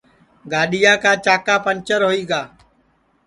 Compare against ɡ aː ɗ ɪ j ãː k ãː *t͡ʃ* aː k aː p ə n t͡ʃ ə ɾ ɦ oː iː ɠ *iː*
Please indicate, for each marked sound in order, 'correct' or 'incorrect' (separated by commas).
correct, incorrect